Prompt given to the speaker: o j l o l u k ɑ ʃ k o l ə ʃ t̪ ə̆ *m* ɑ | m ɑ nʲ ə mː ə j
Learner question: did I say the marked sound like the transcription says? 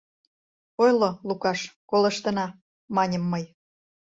no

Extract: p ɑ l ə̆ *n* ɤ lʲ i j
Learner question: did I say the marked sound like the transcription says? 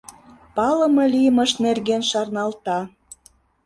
no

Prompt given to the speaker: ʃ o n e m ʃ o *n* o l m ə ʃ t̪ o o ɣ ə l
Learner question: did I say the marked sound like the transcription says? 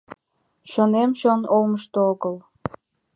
yes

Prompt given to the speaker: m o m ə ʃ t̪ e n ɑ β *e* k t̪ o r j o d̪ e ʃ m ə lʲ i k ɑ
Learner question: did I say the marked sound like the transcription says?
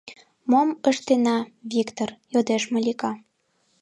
no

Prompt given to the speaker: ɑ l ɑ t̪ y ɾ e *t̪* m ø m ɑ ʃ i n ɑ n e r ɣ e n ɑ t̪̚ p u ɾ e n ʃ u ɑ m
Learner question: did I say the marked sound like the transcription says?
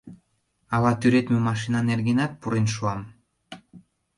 yes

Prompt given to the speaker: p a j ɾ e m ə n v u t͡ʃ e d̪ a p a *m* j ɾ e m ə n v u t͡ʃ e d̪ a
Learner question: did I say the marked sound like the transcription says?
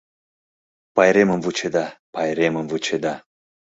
no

